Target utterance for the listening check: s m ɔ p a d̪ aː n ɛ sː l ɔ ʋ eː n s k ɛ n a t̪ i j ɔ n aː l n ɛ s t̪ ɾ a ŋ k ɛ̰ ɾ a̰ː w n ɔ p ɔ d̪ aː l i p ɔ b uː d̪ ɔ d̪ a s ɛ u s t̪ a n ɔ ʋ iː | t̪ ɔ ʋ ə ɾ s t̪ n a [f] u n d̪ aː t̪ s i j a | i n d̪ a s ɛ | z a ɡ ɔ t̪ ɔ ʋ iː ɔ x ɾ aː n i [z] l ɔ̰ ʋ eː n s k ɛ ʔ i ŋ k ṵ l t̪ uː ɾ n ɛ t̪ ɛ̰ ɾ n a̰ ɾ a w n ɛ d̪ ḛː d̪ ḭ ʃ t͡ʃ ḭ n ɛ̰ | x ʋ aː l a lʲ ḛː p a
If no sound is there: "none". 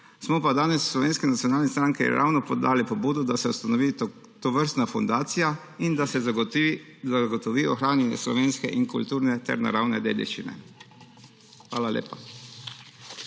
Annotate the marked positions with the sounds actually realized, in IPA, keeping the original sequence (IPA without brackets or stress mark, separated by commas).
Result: f, s